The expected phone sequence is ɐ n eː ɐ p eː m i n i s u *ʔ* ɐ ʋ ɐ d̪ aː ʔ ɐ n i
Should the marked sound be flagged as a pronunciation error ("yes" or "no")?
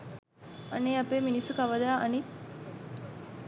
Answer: yes